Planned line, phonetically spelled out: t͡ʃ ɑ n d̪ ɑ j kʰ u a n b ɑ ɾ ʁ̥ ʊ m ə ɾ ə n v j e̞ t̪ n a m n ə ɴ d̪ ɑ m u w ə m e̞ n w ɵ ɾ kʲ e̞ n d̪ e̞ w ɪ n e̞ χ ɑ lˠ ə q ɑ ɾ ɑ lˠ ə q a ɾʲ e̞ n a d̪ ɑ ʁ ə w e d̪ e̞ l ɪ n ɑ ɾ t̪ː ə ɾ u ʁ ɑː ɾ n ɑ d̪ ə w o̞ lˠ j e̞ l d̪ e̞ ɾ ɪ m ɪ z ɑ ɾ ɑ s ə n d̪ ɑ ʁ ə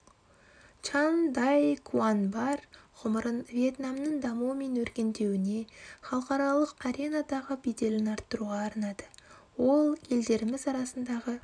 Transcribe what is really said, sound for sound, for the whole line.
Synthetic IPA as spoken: t͡ʃ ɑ n d̪ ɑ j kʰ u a n b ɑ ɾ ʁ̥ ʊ m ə ɾ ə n v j e̞ t̪ n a m n ə ɴ d̪ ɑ m u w ə m e̞ n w ɵ ɾ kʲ e̞ n d̪ e̞ w ɪ n e̞ χ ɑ lˠ ə q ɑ ɾ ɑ lˠ ə q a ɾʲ e̞ n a d̪ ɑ ʁ ə b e d̪ e̞ l ɪ n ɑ ɾ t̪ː ə ɾ u ʁ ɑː ɾ n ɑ d̪ ə w o̞ lˠ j e̞ l d̪ e̞ ɾ ɪ m ɪ z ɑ ɾ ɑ s ə n d̪ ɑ ʁ ə